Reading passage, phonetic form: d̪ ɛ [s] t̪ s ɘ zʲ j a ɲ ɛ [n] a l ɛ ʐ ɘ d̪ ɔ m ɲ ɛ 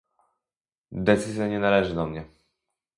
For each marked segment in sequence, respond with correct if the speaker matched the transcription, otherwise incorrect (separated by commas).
incorrect, correct